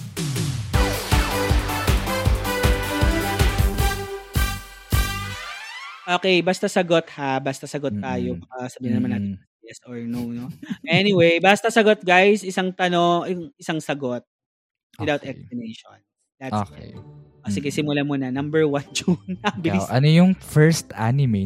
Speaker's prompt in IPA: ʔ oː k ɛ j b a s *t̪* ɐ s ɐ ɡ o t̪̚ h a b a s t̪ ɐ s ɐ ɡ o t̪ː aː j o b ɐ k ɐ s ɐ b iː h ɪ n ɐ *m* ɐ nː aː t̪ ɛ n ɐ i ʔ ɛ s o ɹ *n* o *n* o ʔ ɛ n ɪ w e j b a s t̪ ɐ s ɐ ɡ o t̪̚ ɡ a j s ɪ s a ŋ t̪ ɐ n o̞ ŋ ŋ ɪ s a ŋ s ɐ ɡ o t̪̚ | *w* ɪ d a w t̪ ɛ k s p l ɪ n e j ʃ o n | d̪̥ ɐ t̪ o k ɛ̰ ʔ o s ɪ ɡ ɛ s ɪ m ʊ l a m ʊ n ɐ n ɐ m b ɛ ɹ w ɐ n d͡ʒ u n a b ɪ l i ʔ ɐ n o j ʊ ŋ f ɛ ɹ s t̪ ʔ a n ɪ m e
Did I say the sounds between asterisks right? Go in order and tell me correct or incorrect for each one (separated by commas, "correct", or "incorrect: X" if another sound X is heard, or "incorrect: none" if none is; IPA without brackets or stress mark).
correct, correct, correct, correct, correct